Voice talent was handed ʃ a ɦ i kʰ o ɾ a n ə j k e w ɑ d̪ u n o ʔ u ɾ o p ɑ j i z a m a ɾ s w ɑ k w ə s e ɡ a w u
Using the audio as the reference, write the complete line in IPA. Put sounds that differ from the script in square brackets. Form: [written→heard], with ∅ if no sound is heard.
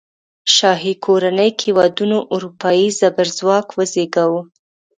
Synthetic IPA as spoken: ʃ [a→ɑ] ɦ i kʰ o ɾ a n ə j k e w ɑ d̪ u n o ʔ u ɾ [o→u] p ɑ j i z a [m→b] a ɾ [s→z] w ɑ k w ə [s→z] e ɡ a w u